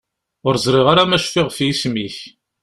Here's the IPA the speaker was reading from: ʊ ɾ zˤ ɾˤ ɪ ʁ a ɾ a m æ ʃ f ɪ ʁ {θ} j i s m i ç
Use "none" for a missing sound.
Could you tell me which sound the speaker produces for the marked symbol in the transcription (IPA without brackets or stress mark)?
f